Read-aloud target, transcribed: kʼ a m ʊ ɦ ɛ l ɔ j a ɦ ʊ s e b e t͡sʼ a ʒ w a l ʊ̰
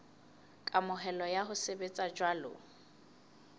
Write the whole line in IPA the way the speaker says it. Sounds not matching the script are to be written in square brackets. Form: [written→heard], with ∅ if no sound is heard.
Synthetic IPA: kʼ a m ʊ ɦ ɛ l ɔ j a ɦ ʊ s e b e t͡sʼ a [ʒ→d͡ʒ] w a l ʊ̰

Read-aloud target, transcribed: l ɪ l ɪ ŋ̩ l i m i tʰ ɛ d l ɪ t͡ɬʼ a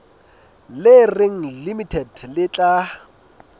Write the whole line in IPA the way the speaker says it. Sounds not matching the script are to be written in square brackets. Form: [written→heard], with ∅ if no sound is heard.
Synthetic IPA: l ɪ [l→r] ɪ ŋ̩ l i m i tʰ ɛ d l ɪ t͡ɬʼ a

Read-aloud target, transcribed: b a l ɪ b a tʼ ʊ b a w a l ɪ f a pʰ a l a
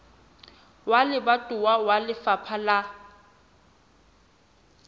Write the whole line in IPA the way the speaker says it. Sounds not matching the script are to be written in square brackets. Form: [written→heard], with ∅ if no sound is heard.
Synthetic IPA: [b→w] a l ɪ b a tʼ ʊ [b→w] a w a l ɪ f a pʰ a l a

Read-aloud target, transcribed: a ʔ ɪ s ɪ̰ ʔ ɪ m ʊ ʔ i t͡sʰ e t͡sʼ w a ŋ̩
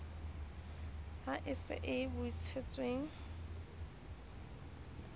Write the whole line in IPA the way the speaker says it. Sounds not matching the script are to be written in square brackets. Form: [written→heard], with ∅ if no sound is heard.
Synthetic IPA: a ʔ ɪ s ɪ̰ ʔ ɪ [m→b] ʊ [ʔ→∅] i t͡sʰ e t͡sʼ w [a→e] ŋ̩

